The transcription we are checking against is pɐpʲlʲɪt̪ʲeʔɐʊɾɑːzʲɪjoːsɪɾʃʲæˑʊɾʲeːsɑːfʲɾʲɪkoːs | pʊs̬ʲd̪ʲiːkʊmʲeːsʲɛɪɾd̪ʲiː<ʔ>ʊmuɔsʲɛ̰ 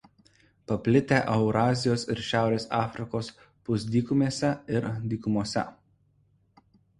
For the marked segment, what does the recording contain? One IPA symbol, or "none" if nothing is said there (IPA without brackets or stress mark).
k